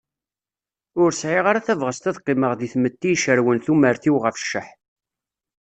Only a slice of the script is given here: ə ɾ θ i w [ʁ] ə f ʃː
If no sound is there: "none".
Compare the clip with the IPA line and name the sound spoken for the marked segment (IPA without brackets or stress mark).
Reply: ʁ